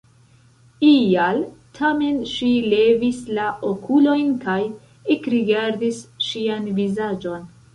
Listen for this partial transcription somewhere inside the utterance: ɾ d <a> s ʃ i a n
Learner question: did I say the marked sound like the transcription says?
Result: no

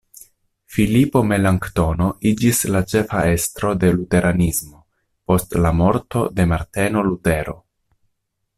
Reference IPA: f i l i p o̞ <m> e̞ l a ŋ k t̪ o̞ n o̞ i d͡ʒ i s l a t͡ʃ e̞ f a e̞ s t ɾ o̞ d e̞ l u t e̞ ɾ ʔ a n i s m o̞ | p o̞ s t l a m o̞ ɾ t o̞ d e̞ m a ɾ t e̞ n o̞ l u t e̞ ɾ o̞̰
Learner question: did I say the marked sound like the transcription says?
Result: yes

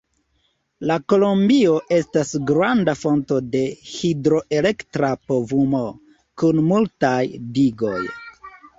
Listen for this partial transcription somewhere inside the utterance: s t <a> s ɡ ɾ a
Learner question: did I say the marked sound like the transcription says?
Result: yes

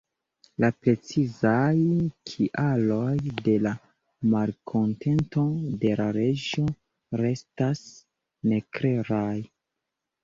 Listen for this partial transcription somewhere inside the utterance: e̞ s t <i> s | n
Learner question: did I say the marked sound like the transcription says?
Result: no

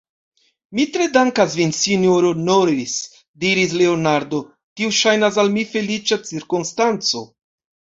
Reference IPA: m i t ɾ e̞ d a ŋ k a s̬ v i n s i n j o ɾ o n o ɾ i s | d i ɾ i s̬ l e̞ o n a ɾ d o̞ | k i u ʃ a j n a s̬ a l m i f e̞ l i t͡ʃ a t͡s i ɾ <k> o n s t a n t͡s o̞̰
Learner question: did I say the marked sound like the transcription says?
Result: yes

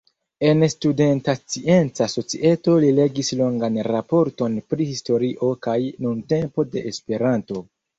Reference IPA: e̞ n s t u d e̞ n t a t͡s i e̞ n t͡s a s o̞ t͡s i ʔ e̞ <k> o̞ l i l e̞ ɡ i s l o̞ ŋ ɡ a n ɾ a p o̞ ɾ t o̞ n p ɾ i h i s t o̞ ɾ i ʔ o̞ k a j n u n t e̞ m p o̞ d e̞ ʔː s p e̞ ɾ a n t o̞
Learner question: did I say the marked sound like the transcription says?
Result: no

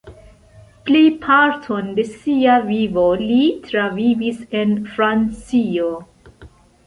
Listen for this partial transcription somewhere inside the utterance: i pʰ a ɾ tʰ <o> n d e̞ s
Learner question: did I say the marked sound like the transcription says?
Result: yes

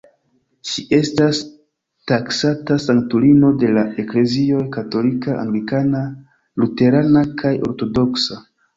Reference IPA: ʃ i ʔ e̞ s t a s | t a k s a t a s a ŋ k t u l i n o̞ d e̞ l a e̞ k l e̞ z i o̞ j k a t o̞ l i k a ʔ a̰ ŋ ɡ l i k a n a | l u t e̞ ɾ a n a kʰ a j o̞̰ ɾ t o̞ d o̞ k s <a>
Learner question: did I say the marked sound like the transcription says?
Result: yes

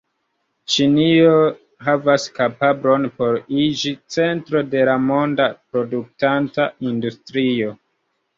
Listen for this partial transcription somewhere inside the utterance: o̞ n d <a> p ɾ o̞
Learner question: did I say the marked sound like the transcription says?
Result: yes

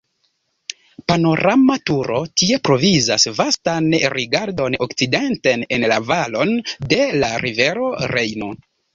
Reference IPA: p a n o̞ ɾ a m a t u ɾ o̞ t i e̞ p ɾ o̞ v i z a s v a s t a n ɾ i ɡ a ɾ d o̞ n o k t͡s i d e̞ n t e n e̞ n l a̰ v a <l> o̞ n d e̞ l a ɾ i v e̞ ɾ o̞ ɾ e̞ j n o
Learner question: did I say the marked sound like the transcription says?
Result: yes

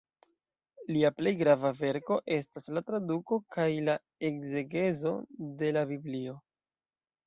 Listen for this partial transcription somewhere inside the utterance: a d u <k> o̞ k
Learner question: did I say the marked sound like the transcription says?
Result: yes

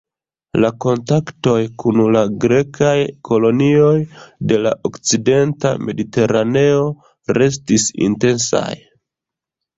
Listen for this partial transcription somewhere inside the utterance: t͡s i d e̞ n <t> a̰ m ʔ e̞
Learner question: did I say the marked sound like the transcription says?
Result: yes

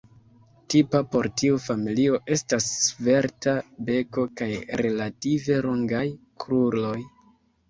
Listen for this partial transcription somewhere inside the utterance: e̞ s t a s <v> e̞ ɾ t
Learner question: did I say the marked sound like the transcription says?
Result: yes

